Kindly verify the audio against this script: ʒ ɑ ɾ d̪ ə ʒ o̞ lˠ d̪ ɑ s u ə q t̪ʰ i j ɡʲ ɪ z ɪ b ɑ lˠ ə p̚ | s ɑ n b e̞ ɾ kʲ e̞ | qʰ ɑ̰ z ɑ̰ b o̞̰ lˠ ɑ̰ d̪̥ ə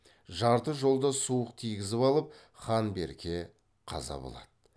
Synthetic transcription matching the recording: ʒ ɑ ɾ t̪ ə ʒ o̞ lˠ d̪ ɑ s u ə q t̪ʰ i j ɡʲ ɪ z ɪ p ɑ lˠ ə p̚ | χ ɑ n b e̞ ɾ kʲ e̞ | qʰ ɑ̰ z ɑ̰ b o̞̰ lˠ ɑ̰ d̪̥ ə